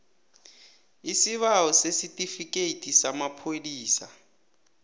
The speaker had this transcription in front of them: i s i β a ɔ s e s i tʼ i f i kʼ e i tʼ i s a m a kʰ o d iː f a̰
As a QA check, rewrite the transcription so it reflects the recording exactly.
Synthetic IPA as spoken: i s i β a ɔ s e s i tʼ i f i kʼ e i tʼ i s a m a pʰ o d iː s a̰